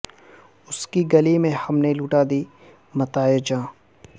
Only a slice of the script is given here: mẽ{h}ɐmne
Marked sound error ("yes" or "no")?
no